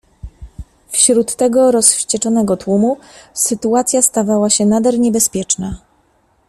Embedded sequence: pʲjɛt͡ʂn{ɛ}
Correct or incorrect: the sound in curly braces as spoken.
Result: incorrect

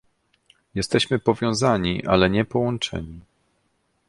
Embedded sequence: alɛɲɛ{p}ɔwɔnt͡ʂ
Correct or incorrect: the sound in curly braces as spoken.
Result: correct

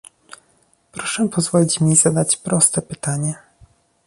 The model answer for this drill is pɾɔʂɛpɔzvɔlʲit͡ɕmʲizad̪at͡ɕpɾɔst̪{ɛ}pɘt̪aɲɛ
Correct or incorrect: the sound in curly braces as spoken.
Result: correct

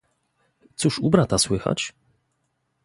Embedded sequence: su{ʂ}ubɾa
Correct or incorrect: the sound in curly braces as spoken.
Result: correct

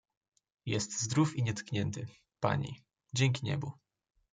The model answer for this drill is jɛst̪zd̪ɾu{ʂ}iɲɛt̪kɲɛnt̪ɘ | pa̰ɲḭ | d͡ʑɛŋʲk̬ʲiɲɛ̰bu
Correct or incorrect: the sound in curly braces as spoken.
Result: incorrect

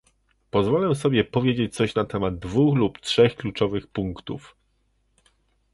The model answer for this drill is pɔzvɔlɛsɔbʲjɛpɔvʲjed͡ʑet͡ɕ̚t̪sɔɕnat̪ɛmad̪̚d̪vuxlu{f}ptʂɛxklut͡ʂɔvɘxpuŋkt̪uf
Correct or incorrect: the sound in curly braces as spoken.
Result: incorrect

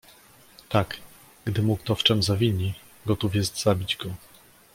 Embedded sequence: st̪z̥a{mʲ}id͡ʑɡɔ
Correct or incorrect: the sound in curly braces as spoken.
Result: incorrect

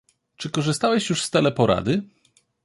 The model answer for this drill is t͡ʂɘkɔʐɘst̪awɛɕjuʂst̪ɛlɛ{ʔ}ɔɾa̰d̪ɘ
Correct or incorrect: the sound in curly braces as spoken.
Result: incorrect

